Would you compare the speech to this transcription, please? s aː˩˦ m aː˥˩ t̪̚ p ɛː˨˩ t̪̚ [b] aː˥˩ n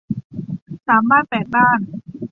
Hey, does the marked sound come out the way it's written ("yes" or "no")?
yes